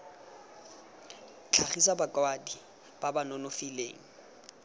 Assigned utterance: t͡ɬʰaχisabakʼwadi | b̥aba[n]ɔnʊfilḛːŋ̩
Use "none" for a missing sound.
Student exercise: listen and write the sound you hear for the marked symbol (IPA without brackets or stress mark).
n